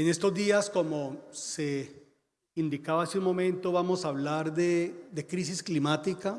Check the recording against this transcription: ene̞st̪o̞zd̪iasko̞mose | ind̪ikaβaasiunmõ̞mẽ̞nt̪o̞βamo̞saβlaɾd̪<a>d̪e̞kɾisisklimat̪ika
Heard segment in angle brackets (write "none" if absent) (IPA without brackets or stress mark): e